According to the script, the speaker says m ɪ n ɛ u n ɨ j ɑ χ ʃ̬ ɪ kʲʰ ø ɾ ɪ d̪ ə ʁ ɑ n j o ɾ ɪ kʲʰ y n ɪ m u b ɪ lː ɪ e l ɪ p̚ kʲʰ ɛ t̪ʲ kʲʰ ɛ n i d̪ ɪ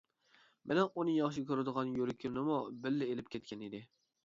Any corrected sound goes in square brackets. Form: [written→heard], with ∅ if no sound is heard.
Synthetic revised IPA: m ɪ n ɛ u n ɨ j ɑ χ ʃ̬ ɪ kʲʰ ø ɾ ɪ d̪ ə ʁ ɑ n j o ɾ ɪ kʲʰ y n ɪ m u b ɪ lː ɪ e l ɪ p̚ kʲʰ ɛ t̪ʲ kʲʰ ɛ n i d̪ ɪ